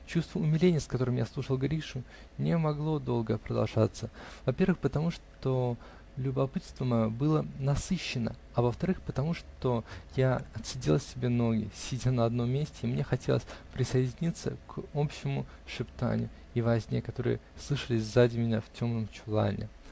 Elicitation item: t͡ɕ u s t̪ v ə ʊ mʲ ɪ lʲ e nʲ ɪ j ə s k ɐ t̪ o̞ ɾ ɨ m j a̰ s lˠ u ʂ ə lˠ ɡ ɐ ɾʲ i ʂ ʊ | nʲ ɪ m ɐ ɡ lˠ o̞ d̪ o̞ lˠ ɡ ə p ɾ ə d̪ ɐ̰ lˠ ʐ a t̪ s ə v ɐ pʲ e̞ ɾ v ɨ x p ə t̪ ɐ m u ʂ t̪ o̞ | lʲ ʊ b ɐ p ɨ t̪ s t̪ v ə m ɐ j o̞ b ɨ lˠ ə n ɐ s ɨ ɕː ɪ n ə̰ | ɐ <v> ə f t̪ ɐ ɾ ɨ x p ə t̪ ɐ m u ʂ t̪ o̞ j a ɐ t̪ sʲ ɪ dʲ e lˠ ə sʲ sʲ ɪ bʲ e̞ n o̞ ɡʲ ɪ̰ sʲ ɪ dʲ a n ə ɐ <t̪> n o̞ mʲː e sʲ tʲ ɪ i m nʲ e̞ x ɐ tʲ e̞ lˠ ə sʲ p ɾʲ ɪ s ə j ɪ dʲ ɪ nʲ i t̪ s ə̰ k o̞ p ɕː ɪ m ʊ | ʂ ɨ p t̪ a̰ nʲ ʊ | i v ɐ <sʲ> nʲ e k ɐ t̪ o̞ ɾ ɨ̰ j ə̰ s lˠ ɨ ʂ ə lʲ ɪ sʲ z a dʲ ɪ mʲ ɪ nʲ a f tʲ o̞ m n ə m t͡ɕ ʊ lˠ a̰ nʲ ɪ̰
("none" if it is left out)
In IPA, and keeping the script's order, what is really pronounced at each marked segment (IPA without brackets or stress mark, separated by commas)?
v, d̪, zʲ